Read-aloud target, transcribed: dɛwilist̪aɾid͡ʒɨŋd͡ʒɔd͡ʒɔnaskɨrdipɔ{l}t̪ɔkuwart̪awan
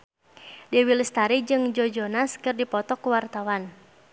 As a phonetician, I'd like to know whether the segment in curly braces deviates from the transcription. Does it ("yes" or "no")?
yes